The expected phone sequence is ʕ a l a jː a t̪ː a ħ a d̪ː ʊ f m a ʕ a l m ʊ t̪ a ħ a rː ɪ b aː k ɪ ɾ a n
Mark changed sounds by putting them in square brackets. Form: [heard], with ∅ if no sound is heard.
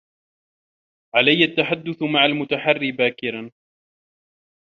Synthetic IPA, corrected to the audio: ʕ a l a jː a t̪ː a ħ a d̪ː ʊ [θ] m a ʕ a l m ʊ t̪ a ħ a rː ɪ b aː k ɪ ɾ a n